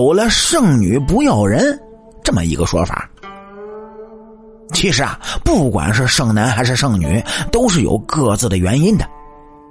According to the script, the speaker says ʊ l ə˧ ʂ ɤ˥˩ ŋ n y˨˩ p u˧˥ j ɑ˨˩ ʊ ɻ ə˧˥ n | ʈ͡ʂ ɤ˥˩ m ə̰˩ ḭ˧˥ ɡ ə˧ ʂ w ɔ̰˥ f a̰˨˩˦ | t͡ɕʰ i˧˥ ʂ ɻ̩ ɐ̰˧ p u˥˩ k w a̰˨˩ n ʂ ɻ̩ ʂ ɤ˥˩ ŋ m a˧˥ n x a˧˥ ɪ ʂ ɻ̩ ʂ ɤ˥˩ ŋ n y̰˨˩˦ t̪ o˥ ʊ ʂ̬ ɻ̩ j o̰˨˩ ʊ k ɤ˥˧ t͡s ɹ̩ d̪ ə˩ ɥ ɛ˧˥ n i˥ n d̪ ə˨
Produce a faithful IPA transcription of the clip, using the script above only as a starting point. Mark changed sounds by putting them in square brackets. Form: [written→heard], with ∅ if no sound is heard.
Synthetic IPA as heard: ʊ l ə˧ ʂ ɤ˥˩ ŋ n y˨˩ p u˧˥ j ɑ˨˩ ʊ ɻ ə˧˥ n | ʈ͡ʂ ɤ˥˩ m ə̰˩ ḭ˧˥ ɡ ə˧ ʂ w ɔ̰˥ f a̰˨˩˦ | t͡ɕʰ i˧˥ ʂ ɻ̩ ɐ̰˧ p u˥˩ k w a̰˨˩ n ʂ ɻ̩ ʂ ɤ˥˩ ŋ [m→n] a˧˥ n x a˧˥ ɪ ʂ ɻ̩ ʂ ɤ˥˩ ŋ n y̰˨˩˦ t̪ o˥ ʊ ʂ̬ ɻ̩ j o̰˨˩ ʊ k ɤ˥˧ t͡s ɹ̩ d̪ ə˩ ɥ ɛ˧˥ n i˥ n d̪ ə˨